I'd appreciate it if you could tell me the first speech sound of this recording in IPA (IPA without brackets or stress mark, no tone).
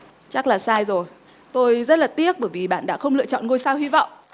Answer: t͡ɕ